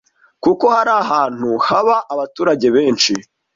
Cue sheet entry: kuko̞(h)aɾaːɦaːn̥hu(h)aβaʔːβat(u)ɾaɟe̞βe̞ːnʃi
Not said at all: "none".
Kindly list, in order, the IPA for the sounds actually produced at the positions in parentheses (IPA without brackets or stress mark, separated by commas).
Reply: h, h, uː